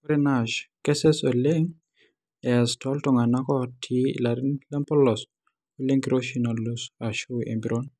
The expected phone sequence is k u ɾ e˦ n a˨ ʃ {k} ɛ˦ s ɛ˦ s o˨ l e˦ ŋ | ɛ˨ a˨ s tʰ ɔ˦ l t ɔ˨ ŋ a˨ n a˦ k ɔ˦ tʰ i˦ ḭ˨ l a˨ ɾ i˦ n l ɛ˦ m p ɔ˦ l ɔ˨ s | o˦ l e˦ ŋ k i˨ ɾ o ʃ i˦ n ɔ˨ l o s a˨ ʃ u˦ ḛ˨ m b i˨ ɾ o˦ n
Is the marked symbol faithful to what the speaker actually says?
yes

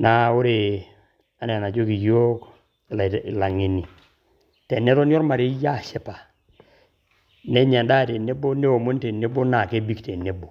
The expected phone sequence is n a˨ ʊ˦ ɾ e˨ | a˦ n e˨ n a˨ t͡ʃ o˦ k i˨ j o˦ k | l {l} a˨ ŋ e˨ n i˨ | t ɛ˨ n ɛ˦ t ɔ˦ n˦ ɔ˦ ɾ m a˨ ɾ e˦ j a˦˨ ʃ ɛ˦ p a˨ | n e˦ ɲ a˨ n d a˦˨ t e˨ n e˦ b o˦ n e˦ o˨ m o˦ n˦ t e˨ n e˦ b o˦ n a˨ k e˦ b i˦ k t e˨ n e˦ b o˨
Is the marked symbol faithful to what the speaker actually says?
yes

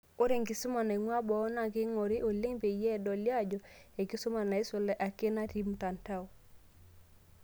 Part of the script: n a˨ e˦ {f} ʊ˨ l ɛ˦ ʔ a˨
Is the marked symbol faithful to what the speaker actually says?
no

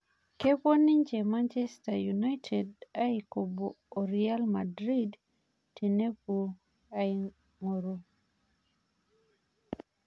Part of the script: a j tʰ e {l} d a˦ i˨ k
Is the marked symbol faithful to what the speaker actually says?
no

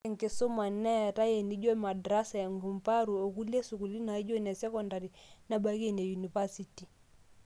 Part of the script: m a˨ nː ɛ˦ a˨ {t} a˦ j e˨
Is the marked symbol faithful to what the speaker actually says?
yes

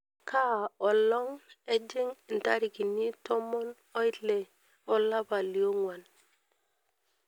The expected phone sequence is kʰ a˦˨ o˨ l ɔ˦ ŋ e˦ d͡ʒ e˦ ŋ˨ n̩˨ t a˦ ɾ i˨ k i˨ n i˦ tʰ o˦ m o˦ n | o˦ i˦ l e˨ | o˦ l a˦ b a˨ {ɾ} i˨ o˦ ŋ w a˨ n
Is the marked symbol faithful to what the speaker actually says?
no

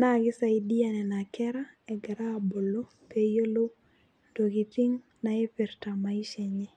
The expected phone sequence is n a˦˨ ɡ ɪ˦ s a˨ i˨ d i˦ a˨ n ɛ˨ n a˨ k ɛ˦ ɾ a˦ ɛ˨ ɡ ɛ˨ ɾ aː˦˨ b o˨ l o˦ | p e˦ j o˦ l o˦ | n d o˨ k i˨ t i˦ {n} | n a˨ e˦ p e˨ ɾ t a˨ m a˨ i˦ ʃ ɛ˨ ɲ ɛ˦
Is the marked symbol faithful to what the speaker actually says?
no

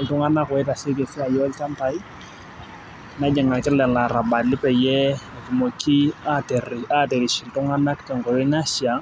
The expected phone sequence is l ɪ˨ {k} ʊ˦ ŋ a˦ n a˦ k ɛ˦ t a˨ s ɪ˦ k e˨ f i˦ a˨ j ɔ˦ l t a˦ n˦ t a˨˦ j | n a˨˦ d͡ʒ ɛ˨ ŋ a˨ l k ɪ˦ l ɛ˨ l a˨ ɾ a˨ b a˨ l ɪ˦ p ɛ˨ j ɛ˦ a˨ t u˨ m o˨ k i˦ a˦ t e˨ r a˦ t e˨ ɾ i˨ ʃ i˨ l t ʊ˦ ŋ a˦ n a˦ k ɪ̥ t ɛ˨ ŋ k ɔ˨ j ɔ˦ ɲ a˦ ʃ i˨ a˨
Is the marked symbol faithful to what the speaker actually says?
no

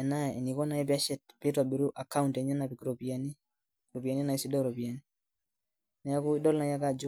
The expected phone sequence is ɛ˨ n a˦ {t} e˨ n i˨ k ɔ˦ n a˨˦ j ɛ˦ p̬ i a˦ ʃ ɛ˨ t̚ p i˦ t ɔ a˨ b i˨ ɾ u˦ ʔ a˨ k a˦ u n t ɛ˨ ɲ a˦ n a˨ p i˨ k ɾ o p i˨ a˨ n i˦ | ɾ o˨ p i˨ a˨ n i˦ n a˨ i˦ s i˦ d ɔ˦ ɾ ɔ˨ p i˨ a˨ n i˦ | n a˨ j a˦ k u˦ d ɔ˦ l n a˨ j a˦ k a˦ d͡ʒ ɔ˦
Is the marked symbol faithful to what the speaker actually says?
no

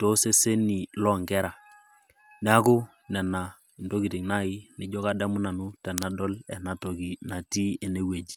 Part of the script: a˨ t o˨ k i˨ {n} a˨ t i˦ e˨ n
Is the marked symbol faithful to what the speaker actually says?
yes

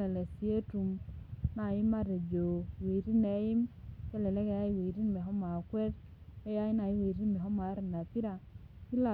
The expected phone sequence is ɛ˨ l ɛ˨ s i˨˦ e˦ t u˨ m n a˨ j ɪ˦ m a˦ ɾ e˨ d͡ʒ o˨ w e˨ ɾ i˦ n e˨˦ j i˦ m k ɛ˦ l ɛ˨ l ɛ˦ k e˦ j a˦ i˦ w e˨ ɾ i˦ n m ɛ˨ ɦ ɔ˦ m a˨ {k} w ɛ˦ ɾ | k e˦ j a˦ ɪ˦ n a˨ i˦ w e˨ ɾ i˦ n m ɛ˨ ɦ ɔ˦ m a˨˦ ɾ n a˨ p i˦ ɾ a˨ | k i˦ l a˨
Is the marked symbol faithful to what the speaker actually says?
yes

